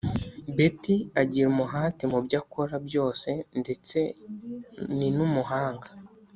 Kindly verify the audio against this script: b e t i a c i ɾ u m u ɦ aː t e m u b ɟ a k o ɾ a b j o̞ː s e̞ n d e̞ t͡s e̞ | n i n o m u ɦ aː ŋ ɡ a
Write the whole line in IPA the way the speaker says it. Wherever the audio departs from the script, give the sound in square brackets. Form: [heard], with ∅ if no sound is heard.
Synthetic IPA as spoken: b e t i a [ɟ] i ɾ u m u ɦ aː t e m u b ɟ a k o ɾ a b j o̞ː s e̞ n d e̞ t͡s e̞ | n i n [u] m u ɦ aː ŋ ɡ a

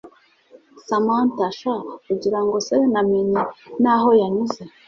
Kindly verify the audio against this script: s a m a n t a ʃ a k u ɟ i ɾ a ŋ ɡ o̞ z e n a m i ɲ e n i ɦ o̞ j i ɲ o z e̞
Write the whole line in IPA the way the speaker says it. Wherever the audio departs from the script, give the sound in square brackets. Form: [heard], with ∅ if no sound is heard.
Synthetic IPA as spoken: s a m a n t a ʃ a k u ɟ i ɾ a ŋ ɡ o̞ [s] e n a m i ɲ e n [a] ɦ o̞ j [a] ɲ [u] z e̞

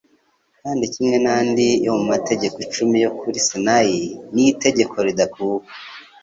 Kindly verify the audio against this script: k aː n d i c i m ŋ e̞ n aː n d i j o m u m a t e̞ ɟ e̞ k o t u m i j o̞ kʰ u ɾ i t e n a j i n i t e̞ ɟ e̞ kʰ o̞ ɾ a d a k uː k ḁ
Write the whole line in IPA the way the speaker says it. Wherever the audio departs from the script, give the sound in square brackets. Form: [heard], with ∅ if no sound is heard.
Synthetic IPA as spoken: k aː n d i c i m ŋ e̞ n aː n d i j o m u m a t e̞ ɟ e̞ k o [t͡ʃ] u m i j o̞ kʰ u ɾ i [s] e n a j i n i t e̞ ɟ e̞ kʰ o̞ ɾ [i] d a k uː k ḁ

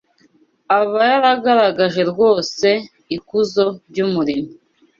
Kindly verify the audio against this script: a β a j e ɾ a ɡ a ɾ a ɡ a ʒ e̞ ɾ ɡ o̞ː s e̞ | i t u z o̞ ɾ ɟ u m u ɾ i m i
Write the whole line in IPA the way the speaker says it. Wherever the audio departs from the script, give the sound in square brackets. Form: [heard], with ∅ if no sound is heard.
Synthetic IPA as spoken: a β a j [a] ɾ a ɡ a ɾ a ɡ a ʒ e̞ ɾ ɡ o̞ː s e̞ | i [k] u z o̞ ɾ ɟ u m u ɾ i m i

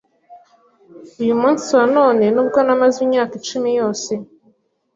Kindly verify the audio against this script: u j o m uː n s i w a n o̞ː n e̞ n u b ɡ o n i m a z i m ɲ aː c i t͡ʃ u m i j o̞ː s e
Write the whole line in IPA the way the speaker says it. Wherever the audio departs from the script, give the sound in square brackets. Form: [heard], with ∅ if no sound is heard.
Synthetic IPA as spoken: u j [u] m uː n s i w a n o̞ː n e̞ n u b ɡ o n [a] m a z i m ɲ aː [k] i t͡ʃ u m i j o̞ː s e

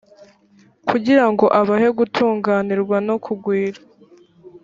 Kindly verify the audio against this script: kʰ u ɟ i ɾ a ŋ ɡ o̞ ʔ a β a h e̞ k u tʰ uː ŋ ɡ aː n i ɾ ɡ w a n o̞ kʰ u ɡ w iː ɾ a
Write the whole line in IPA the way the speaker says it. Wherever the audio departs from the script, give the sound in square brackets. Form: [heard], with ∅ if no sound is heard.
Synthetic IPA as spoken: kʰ u ɟ i ɾ a ŋ ɡ o̞ ʔ a β a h e̞ [ɡ] u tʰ uː ŋ ɡ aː n i ɾ ɡ w a n o̞ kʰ u ɡ w iː ɾ a

